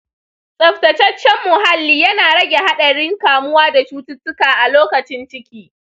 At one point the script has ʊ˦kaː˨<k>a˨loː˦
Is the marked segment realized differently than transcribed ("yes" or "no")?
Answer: yes